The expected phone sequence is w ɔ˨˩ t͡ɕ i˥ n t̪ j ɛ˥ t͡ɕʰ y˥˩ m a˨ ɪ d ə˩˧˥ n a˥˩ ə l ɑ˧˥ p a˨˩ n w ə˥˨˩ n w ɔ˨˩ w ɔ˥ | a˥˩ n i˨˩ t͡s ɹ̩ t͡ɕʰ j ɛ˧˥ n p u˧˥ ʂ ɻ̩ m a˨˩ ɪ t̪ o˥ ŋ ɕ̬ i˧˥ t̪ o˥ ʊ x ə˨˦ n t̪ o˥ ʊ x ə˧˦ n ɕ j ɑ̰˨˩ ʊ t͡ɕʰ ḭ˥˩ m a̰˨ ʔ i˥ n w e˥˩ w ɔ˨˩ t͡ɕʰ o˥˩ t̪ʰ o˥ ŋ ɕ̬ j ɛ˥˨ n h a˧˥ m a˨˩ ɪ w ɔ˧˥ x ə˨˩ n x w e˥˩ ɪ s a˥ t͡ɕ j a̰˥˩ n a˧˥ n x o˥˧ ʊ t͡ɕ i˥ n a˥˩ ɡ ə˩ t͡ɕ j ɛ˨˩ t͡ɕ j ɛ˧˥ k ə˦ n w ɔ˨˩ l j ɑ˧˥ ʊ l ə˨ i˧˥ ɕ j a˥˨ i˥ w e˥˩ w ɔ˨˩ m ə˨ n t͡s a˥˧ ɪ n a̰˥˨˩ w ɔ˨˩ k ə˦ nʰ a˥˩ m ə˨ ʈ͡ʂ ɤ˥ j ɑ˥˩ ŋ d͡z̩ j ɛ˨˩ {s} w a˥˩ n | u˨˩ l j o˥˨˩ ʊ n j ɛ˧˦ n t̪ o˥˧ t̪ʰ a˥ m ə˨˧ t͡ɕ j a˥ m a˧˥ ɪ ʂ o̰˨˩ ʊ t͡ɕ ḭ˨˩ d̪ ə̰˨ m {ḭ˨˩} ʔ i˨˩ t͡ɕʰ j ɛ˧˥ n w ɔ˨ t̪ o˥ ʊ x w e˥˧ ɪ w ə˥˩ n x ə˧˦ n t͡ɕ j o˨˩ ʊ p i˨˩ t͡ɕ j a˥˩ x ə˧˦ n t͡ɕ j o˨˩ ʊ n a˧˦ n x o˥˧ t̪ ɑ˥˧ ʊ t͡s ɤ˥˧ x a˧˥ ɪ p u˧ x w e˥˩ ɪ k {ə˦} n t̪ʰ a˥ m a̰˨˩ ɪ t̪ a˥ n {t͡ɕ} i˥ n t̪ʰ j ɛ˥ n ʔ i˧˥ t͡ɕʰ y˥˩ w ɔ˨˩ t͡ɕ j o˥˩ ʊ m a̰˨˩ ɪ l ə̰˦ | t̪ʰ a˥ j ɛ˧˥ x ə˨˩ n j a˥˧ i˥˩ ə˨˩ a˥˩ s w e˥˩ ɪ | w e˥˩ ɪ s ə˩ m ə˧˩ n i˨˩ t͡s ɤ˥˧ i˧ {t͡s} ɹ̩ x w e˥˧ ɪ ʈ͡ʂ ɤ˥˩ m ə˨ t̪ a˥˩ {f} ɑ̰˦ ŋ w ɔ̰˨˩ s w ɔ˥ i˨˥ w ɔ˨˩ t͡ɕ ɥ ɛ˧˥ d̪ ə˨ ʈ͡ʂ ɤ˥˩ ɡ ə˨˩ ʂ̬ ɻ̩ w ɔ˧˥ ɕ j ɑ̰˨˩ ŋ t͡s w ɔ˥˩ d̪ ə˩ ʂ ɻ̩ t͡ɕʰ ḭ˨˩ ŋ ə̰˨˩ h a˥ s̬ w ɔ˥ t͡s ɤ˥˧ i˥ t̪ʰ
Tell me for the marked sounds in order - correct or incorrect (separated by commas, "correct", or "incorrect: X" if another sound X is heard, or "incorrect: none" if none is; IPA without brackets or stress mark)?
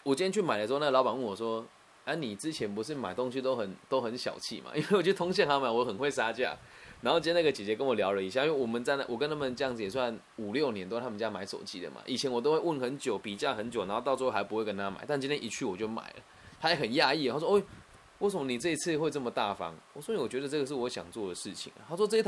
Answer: correct, incorrect: a̰˨˩, correct, correct, incorrect: t͡sʰ, correct